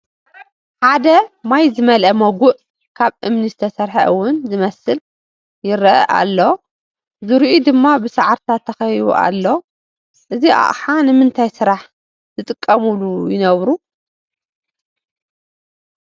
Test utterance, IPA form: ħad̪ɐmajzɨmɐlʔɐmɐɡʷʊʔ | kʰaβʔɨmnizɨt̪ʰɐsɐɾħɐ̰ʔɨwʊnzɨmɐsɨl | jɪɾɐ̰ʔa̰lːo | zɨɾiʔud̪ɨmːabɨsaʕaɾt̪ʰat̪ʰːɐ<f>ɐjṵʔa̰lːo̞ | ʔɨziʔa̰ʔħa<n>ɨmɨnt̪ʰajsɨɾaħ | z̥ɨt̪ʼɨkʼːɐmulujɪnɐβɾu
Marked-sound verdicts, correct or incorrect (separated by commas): incorrect, correct